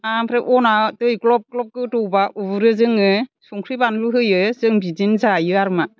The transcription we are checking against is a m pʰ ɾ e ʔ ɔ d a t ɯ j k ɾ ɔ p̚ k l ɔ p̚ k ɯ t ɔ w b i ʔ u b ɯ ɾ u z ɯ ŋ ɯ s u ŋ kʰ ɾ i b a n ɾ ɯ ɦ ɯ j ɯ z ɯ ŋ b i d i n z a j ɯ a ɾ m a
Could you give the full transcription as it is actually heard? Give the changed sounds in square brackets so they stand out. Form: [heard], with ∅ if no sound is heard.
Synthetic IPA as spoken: a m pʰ ɾ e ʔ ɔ [n] a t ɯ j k [l] ɔ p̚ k l ɔ p̚ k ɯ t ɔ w b [a] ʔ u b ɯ ɾ [ɯ] z ɯ ŋ ɯ s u ŋ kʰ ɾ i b a n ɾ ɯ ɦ ɯ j ɯ z ɯ ŋ b i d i n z a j ɯ a ɾ m a